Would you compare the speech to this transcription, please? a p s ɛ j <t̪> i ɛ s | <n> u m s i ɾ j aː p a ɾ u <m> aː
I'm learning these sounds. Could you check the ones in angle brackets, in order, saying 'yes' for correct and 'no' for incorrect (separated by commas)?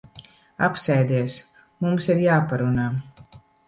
no, no, no